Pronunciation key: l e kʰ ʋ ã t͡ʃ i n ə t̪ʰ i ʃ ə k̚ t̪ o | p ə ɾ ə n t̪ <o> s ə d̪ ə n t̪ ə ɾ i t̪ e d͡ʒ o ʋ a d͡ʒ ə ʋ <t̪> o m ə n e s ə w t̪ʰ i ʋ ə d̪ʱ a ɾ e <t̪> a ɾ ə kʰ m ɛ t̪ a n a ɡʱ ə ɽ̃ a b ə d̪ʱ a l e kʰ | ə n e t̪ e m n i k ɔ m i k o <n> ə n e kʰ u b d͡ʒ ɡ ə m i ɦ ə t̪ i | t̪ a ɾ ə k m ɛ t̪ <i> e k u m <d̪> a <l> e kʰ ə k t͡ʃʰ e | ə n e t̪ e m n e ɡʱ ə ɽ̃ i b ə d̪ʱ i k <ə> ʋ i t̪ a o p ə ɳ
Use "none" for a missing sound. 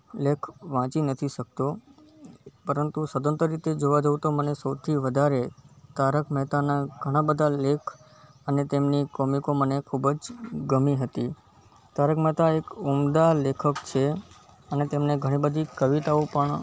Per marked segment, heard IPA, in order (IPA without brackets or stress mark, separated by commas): u, t̪, t̪, m, a, d̪, l, ə